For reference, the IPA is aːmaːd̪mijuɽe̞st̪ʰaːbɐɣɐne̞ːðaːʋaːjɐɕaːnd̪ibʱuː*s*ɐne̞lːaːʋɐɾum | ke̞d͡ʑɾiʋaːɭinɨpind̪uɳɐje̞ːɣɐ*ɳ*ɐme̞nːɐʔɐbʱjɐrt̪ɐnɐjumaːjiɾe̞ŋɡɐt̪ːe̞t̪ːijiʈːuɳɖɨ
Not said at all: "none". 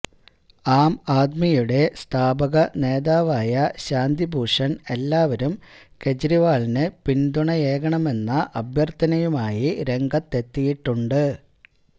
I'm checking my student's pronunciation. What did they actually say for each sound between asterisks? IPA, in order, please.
ʂ, ɳ

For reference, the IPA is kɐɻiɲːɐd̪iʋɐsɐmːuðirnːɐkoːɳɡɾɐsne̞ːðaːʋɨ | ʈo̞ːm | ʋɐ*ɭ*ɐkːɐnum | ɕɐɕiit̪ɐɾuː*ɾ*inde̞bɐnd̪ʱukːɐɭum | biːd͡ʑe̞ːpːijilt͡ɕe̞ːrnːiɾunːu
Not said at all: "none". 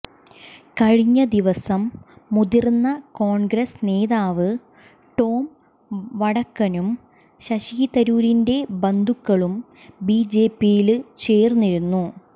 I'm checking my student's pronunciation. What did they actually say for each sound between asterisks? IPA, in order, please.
ɽ, ɾ

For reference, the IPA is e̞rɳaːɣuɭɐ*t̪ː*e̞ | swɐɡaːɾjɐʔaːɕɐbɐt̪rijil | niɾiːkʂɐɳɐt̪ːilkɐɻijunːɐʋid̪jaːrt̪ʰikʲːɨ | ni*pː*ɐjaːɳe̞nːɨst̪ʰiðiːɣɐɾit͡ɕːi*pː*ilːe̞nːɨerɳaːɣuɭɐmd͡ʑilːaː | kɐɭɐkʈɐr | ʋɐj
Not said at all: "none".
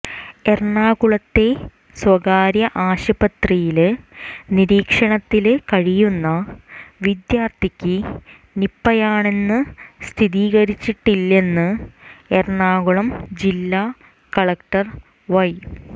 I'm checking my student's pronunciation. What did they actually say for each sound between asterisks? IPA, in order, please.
t̪ː, pː, ʈː

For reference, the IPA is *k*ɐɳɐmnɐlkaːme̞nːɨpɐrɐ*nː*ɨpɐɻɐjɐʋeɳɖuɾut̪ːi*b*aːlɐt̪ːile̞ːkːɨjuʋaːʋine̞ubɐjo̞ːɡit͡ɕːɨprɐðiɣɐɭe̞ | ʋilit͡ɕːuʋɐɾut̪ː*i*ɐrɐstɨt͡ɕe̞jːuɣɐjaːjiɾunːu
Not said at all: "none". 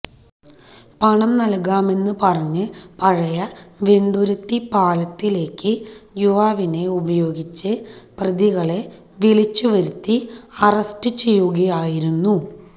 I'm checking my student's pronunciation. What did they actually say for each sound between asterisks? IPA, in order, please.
p, ɲː, p, i

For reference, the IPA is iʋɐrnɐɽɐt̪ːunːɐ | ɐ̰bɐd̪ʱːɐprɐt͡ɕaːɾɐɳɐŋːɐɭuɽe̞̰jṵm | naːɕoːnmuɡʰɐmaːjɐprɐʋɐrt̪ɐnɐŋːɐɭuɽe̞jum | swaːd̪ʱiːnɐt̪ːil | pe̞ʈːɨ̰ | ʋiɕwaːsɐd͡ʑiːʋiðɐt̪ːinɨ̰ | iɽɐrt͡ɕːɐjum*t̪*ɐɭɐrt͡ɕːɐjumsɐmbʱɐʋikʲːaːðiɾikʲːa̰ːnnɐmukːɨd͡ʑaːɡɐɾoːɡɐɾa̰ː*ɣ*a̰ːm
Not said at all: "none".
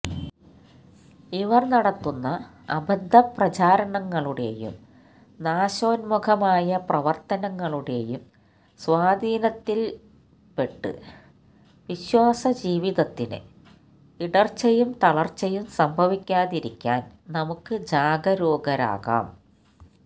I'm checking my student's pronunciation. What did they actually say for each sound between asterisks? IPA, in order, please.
t̪, ɣ

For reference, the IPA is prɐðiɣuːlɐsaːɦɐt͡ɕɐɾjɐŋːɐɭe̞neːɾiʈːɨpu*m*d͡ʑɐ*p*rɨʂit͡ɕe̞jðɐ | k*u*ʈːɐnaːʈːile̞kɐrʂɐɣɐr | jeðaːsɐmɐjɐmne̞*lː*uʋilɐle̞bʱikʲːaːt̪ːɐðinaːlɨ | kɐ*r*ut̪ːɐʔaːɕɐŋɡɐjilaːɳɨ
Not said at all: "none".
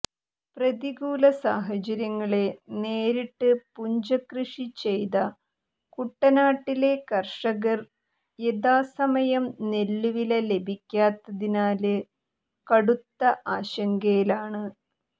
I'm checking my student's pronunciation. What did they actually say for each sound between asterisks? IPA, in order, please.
ɲ, k, u, lː, ɽ

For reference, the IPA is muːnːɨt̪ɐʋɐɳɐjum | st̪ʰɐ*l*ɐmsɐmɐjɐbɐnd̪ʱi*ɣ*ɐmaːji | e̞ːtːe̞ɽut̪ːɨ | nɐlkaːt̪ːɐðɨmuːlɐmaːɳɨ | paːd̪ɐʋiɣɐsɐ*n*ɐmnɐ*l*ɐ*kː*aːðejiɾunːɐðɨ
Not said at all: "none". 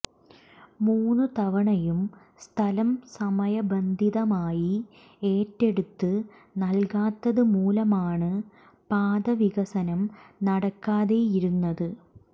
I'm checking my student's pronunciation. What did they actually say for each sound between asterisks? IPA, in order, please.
l, ð, n, ɽ, kː

